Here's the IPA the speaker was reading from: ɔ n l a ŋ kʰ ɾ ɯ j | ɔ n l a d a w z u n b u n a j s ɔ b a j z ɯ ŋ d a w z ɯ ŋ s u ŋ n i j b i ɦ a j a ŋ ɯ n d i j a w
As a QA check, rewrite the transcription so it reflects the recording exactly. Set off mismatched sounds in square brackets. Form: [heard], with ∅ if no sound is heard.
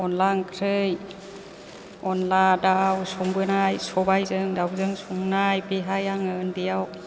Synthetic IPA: ɔ n l a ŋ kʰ ɾ ɯ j | ɔ n l a d a w [s] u [ŋ] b [ɯ] n a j s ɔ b a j z ɯ ŋ d a w z ɯ ŋ s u ŋ n [a] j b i ɦ a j a ŋ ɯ n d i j a w